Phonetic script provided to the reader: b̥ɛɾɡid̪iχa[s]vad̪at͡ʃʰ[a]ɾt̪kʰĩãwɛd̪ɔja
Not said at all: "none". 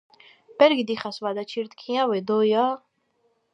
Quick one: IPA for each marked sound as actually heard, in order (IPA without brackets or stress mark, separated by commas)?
s, i